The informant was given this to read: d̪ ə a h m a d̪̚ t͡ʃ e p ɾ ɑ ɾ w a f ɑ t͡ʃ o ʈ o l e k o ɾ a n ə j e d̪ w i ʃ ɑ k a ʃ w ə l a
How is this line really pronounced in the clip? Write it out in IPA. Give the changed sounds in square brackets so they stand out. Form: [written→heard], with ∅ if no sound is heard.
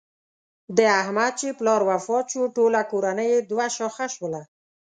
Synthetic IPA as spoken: d̪ ə a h m a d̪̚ t͡ʃ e p [ɾ→l] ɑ ɾ w a f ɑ t͡ʃ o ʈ o l [e→a] k o ɾ a n ə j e d̪ w [i→a] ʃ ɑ [k→x] a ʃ w ə l a

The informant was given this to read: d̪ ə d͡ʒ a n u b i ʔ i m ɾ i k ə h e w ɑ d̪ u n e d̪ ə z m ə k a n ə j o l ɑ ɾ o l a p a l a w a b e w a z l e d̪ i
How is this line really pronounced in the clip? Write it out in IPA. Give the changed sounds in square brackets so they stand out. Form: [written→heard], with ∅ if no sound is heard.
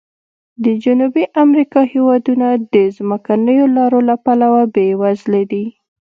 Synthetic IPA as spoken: d̪ ə d͡ʒ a n u b i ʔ [i→a] m ɾ i k [ə→ɑ] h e w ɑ d̪ u n [e→a] d̪ ə z m ə k a n ə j o l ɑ ɾ o l a p a l a w a b e w a z l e d̪ i

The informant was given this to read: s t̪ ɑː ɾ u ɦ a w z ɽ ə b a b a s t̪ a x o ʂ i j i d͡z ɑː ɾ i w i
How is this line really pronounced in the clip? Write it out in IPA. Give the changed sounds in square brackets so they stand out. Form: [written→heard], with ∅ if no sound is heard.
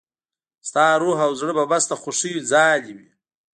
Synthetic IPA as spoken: s t̪ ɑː ɾ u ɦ a w z ɽ ə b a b a s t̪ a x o ʂ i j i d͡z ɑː [ɾ→l] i w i

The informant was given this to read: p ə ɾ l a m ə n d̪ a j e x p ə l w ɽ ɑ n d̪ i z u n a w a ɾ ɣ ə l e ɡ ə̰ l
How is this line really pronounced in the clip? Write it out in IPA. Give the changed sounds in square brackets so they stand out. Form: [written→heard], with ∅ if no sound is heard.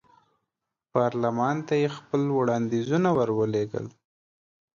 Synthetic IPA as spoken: p [ə→ɑ] ɾ l a m [ə→ɑ] n [d̪→t̪] a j e x p ə l w ɽ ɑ n d̪ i z u n a w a ɾ [ɣ→w] ə l e ɡ ə̰ l

